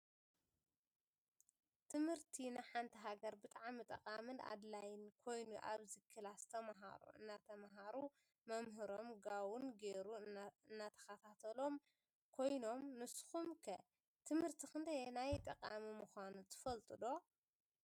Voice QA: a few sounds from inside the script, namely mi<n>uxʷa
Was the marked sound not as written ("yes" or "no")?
yes